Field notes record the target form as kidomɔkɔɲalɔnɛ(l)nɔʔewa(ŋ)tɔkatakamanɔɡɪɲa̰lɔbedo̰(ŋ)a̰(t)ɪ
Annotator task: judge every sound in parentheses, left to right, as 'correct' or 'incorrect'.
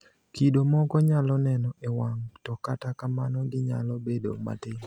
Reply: incorrect: none, correct, incorrect: m, correct

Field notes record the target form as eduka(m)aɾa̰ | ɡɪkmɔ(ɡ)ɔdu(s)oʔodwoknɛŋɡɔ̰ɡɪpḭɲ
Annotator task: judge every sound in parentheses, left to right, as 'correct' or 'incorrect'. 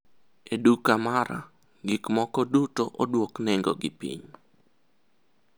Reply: correct, incorrect: k, incorrect: t

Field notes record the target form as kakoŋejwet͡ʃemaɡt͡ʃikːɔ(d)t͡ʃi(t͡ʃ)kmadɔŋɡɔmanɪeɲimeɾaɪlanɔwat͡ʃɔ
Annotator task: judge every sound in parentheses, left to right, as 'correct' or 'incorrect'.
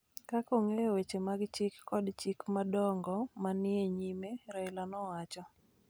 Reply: correct, incorrect: none

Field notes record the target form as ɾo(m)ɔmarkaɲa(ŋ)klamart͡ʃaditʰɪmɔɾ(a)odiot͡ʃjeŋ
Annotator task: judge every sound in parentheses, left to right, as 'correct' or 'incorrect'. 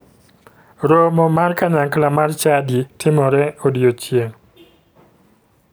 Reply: correct, correct, incorrect: ɛ

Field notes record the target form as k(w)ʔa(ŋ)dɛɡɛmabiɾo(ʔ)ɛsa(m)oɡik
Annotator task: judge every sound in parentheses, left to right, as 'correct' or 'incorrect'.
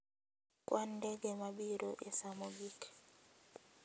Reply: correct, incorrect: n, correct, correct

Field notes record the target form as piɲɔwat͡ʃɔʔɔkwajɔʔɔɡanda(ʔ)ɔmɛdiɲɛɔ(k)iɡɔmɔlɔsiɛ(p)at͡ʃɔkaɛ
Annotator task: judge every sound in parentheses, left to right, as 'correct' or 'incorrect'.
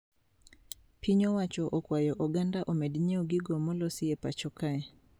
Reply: correct, incorrect: ɡ, correct

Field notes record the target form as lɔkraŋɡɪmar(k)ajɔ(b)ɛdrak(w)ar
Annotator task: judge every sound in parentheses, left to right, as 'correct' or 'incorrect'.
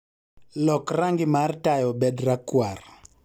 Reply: incorrect: t, correct, correct

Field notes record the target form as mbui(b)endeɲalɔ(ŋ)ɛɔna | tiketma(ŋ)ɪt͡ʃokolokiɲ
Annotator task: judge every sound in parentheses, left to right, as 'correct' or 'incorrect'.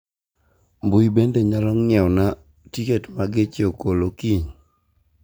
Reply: correct, correct, incorrect: ɡ

